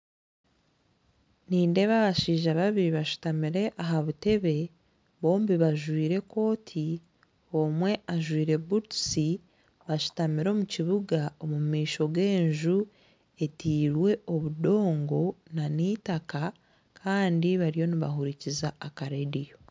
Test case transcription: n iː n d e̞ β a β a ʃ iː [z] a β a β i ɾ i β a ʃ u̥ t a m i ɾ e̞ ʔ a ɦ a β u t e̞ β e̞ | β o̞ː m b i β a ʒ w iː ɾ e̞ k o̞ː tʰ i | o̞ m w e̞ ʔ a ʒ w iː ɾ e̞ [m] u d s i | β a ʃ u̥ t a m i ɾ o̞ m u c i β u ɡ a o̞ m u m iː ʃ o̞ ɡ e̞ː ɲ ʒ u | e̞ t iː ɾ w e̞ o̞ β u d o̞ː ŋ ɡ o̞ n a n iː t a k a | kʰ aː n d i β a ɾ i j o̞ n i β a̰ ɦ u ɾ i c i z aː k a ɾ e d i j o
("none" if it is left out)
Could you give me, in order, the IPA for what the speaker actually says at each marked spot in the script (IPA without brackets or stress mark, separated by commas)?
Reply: ʒ, b